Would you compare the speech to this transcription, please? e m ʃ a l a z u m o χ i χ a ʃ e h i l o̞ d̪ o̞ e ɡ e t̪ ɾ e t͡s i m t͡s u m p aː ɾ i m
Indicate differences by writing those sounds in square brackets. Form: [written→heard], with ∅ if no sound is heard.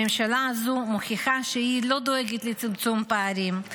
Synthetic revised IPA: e m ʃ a l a z u m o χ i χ a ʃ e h i l o̞ d̪ o̞ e ɡ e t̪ [ɾ→l] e t͡s i m t͡s u m p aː ɾ i m